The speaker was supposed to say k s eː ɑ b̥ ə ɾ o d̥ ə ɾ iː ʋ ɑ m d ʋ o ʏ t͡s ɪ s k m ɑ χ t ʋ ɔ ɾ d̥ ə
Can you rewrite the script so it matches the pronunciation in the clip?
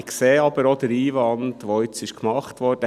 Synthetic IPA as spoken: k s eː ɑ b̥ ə ɾ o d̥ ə ɾ iː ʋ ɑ n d ʋ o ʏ t͡s ɪ ʃ k m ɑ χ t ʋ ɔ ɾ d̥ ə